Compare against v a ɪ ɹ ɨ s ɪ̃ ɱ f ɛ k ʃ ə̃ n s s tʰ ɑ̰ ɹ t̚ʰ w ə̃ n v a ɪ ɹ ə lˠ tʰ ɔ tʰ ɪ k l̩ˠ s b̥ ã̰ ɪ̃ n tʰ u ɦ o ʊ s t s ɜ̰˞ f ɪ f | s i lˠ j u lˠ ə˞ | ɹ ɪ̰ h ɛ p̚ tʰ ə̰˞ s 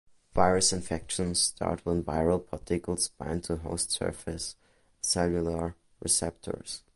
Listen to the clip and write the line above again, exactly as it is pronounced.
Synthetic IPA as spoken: v a ɪ ɹ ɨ s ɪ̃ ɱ f ɛ k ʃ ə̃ n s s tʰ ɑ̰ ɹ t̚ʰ w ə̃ n v a ɪ ɹ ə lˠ pʰ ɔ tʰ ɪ k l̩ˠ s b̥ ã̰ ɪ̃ n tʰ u ɦ o ʊ s t s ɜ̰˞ f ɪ s | s ɛ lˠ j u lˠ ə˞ | ɹ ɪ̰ s ɛ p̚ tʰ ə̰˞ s

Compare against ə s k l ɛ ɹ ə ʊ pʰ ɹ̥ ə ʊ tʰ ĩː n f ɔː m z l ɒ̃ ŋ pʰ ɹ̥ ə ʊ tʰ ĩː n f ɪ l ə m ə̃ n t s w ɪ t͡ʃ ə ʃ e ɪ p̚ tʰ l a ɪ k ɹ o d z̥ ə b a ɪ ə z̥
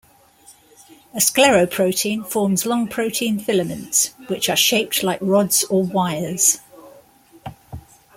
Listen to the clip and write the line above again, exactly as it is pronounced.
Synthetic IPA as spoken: ə s k l ɛ ɹ ə ʊ pʰ ɹ̥ ə ʊ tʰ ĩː n f ɔː m z l ɒ̃ ŋ pʰ ɹ̥ ə ʊ tʰ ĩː n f ɪ l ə m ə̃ n t s w ɪ t͡ʃ ə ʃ e ɪ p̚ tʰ l a ɪ k ɹ ɒ d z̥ ə w a ɪ ə z̥

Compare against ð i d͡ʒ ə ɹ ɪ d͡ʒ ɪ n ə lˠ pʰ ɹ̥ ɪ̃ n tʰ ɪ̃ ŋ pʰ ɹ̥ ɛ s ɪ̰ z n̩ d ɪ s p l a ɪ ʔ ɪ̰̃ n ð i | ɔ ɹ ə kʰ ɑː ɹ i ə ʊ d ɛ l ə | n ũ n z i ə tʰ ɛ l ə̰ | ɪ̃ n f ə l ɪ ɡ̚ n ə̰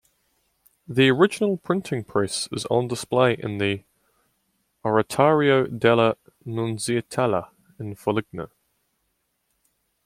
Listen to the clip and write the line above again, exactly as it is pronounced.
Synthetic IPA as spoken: ð i ə ɹ ɪ d͡ʒ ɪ n ə lˠ pʰ ɹ̥ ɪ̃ n tʰ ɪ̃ ŋ pʰ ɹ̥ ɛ s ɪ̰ z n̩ d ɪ s p l e ɪ ʔ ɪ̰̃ n ð i | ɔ ɹ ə tʰ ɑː ɹ i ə ʊ d ɛ l ə | n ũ n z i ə tʰ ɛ l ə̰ | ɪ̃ n f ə l ɪ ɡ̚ n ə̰

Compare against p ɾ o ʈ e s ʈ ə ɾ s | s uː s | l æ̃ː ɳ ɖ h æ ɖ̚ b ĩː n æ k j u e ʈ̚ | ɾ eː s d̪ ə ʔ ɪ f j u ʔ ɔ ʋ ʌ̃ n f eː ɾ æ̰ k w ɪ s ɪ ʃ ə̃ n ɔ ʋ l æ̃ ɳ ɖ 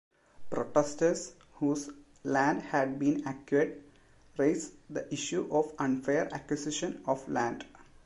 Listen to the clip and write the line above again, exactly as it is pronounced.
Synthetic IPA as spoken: p ɾ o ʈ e s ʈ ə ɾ s | h uː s | l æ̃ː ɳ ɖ h æ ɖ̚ b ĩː n æ k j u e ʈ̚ | ɾ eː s d̪ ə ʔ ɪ ʃ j u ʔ ɔ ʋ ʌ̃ n f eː ɾ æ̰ k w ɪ s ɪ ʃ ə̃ n ɔ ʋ l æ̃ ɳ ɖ

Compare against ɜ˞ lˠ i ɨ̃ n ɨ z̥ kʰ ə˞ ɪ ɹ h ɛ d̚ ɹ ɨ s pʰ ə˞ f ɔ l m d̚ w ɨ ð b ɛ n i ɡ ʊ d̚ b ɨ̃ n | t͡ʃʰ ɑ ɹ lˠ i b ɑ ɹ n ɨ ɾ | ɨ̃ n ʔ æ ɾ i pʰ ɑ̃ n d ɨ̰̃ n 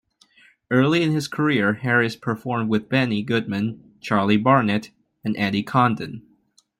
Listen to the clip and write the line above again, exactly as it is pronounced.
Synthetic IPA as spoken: ɜ˞ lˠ i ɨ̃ n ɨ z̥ kʰ ə˞ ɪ ɹ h ɛ ɹ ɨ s pʰ ə˞ f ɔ ɹ m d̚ w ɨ ð b ɛ n i ɡ ʊ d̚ m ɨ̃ n | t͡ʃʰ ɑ ɹ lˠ i b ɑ ɹ n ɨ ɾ | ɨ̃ n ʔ æ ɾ i kʰ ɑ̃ n d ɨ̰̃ n

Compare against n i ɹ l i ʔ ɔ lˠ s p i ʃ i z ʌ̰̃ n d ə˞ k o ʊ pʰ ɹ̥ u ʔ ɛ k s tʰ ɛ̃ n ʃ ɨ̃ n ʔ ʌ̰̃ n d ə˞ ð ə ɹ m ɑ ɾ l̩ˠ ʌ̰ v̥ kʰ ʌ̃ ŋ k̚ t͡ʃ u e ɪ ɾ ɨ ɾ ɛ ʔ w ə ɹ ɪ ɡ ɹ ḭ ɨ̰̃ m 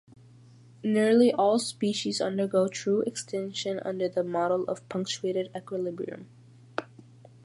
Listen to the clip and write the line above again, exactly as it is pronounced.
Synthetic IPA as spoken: n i ɹ l i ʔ ɔ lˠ s p i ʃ i z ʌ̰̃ n d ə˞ ɡ o ʊ tʰ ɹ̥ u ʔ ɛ k s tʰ ɛ̃ n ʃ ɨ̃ n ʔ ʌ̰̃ n d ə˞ ð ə m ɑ ɾ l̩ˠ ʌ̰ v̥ pʰ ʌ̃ ŋ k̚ t͡ʃ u e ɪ ɾ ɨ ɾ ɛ k w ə l ɪ b ɹ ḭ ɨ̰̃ m

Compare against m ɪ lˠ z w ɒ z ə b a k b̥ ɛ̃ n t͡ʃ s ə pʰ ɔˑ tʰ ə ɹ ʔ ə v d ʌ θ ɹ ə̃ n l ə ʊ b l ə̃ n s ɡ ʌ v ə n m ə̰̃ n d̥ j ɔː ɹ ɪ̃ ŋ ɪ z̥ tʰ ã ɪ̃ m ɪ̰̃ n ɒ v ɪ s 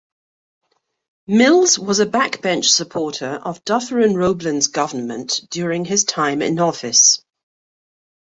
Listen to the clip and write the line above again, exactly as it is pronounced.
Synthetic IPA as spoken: m ɪ lˠ z w ɒ z ə b a k b̥ ɛ̃ n t͡ʃ s ə pʰ ɔˑ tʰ ə ɹ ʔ ə v d ʌ θ ɹ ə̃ n ɹ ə ʊ b l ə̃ n z ɡ ʌ v ə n m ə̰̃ n d̥ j ɔː ɹ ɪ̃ ŋ ɪ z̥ tʰ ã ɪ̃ m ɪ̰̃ n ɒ f ɪ s

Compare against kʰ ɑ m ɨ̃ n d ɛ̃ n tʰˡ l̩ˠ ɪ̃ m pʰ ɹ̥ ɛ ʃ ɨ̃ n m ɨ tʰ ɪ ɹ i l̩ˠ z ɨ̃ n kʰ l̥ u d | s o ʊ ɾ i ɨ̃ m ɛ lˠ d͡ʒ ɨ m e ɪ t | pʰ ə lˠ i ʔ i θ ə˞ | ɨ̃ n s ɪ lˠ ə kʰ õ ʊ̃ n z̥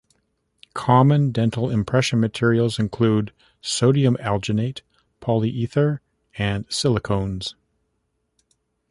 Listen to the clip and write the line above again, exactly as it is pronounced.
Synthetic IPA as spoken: kʰ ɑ m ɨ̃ n d ɛ̃ n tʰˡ l̩ˠ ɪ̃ m pʰ ɹ̥ ɛ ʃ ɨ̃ n m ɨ tʰ ɪ ɹ i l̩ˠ z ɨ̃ n kʰ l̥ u d | s o ʊ ɾ i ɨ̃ m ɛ lˠ d͡ʒ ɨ n e ɪ t | pʰ ɑ lˠ i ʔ i θ ə˞ | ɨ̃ n s ɪ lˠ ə kʰ õ ʊ̃ n z̥

